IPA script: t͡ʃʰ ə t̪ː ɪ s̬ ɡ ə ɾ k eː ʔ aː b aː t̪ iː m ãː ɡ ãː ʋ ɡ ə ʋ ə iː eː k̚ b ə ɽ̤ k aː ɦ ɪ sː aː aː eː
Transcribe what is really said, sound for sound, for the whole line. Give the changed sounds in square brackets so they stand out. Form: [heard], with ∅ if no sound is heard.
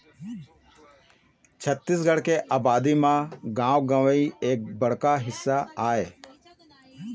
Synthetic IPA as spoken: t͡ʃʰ ə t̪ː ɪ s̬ ɡ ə [ɽ] k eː ʔ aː b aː [d̪] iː m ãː ɡ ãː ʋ ɡ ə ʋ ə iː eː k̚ b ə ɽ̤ k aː ɦ ɪ sː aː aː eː